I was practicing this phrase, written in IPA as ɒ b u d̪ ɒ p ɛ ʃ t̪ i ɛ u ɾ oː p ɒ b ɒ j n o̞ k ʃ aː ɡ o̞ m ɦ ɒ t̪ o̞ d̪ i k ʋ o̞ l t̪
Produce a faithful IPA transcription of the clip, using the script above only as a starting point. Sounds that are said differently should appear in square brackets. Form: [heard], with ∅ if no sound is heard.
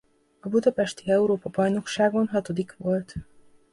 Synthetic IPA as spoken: ɒ b u d̪ ɒ p ɛ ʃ t̪ i ɛ u ɾ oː p ɒ b ɒ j n o̞ k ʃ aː ɡ o̞ [n] ɦ ɒ t̪ o̞ d̪ i k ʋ o̞ l t̪